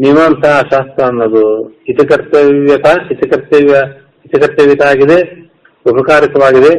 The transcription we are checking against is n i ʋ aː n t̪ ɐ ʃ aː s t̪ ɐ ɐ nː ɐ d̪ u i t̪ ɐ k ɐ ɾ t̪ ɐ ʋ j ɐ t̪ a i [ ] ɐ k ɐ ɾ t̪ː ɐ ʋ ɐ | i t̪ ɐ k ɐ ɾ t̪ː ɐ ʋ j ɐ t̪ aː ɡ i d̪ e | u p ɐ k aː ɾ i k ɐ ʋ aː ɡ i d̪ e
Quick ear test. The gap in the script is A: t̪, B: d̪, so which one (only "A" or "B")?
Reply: A